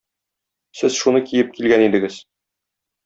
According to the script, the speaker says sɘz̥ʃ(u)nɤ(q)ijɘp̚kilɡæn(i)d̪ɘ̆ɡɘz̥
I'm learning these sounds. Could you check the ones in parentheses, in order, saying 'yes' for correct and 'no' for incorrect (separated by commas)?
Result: yes, no, yes